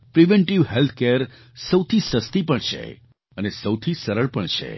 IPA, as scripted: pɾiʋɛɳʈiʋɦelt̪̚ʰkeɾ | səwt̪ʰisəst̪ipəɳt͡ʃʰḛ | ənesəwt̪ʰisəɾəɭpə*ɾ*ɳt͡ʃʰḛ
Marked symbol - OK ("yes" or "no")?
no